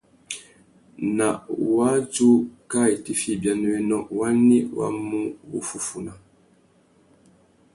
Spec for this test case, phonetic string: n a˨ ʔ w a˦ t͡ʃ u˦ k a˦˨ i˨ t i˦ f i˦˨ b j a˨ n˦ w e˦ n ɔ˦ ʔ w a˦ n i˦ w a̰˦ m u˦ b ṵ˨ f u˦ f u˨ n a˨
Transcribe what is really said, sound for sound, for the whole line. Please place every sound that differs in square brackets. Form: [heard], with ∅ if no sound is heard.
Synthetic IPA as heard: n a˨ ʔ w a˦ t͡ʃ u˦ k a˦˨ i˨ t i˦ f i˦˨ b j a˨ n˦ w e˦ n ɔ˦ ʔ w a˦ n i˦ w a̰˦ m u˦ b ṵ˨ f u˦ f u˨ n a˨